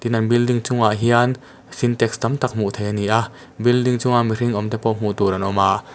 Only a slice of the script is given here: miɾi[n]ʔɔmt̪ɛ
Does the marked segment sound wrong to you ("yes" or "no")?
yes